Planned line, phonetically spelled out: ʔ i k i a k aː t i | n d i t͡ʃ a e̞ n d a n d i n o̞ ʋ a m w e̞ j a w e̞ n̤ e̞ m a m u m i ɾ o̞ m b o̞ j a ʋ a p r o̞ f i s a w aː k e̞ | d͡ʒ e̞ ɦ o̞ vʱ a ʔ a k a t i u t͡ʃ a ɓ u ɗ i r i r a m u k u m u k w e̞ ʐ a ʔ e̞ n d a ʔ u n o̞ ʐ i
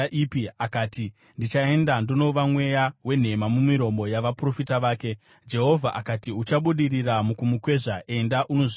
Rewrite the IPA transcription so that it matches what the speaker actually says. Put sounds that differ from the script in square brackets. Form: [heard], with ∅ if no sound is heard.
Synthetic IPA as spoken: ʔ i [p] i a k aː t i | n d i t͡ʃ a e̞ n d a n d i n o̞ ʋ a m w e̞ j a w e̞ n̤ e̞ m a m u m i ɾ o̞ m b o̞ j a ʋ a p r o̞ f i [t] a [ʋ] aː k e̞ | d͡ʒ e̞ ɦ o̞ vʱ a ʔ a k a t i u t͡ʃ a ɓ u ɗ i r i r a m u k u m u k w e̞ ʐ a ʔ e̞ n d a ʔ u n o̞ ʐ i